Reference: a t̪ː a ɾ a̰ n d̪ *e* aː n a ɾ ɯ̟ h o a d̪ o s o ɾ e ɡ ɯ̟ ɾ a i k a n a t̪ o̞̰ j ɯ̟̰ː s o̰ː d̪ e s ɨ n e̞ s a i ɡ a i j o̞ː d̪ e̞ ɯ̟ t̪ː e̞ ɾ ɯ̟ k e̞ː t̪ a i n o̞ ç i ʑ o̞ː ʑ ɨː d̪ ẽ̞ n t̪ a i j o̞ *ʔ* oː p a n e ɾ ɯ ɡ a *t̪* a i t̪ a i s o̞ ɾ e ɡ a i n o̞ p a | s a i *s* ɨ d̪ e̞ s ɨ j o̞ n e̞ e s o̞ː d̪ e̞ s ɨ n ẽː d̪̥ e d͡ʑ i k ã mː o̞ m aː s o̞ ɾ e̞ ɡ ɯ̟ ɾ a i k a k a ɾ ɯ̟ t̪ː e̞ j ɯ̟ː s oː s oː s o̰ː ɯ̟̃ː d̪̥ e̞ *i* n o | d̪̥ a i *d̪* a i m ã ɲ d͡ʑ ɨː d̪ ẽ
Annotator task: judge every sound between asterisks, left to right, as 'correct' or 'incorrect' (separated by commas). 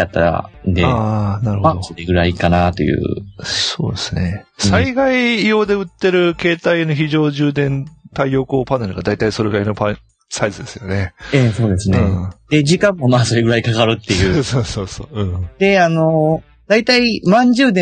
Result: correct, incorrect, incorrect, incorrect, incorrect, incorrect